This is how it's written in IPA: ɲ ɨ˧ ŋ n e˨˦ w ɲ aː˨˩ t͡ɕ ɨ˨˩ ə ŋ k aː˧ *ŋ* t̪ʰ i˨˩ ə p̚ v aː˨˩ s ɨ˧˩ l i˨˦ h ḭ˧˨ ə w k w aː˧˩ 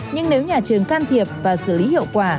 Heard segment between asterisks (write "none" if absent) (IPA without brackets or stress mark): n